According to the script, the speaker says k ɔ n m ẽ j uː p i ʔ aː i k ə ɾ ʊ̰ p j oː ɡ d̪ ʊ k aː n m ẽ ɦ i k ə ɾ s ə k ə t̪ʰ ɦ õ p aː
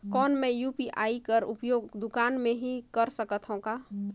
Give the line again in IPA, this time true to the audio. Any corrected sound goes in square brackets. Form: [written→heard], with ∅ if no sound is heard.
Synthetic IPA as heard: k [ɔ→ɔː] n m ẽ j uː p i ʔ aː i k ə ɾ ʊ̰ p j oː ɡ d̪ ʊ k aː n m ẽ ɦ i k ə ɾ s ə k ə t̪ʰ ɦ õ [p→k] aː

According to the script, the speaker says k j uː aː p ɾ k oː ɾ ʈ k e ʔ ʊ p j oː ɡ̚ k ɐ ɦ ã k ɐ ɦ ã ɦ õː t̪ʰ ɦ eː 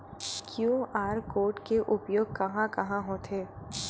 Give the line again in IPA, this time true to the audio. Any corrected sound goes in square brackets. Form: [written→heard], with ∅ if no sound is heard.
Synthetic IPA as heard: k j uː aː [p→∅] ɾ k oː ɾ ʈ k e ʔ ʊ p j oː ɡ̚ k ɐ ɦ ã k ɐ ɦ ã ɦ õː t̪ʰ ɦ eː

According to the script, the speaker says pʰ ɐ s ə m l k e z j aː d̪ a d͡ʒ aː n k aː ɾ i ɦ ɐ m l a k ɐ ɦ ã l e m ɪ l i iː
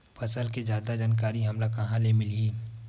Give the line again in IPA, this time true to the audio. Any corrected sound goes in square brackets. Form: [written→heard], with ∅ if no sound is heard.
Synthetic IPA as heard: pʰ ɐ s ə [m→∅] l k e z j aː d̪ a d͡ʒ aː n k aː ɾ i ɦ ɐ m l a k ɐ ɦ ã l e m ɪ l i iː

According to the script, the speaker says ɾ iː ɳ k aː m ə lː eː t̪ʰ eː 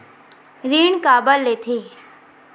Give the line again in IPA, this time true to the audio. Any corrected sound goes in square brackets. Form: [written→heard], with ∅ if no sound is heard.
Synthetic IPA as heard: ɾ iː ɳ k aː [m→b] ə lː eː t̪ʰ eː

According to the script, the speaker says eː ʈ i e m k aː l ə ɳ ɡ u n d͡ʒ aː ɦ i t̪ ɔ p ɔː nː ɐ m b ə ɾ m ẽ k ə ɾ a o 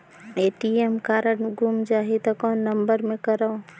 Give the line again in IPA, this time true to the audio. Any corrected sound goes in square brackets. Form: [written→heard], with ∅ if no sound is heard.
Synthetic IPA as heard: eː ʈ i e m k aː [l→ɾ] ə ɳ ɡ u [n→m] d͡ʒ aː ɦ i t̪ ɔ [p→k] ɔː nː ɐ m b ə ɾ m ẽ k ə ɾ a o

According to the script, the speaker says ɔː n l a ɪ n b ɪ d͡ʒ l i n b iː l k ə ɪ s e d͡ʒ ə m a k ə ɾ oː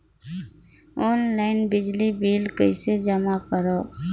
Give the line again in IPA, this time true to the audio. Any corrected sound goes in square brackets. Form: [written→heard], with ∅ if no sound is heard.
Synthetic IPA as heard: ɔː n l a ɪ n b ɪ d͡ʒ l i [n→∅] b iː l k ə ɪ s e d͡ʒ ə m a k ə ɾ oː

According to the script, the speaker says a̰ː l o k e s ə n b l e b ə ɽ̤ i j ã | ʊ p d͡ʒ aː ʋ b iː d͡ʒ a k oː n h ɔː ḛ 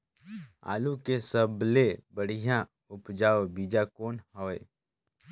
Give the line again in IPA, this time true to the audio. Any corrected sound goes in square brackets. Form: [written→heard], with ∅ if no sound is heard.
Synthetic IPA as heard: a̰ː l [o→u] k e s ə [n→∅] b l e b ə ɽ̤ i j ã | ʊ p d͡ʒ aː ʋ b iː d͡ʒ a k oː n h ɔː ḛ

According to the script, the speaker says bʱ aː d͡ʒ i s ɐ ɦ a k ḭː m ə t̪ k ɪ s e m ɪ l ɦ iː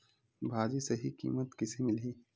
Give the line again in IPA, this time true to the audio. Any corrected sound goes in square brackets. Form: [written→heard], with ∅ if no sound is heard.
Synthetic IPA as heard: bʱ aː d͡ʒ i s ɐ ɦ [a→i] k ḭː m ə t̪ k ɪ s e m ɪ l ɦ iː

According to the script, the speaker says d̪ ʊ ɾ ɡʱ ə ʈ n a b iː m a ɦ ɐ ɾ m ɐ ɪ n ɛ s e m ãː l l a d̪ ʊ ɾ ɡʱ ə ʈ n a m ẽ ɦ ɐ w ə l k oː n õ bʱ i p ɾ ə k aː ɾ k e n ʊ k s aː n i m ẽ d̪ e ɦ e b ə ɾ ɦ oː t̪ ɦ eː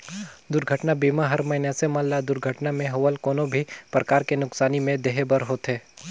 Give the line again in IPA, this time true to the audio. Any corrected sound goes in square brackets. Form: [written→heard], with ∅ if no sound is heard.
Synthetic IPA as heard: d̪ ʊ ɾ ɡʱ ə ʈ n a b iː m a ɦ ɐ ɾ m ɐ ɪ n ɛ s e m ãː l l a d̪ ʊ ɾ ɡʱ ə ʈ n a m ẽ ɦ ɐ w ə l k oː n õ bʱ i p ɾ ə k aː ɾ k e n ʊ k s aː n i m ẽ d̪ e ɦ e b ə ɾ ɦ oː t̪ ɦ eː

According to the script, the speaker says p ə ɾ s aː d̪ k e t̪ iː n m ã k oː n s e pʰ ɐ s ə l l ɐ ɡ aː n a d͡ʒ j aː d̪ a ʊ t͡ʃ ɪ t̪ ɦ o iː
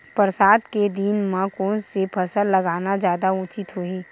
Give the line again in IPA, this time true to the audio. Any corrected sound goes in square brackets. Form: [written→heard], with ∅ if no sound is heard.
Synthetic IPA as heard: p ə ɾ s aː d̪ k e [t̪→d̪] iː n m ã k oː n s e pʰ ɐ s ə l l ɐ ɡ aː n a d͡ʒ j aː d̪ a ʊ t͡ʃ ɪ t̪ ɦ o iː

